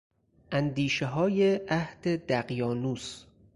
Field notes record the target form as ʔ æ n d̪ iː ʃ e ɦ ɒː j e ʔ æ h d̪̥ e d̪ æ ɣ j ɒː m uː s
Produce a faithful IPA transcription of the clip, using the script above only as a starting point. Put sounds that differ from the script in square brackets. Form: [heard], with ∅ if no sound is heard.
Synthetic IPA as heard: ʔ æ n d̪ iː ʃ e ɦ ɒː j e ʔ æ h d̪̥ e d̪ æ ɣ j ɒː [n] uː s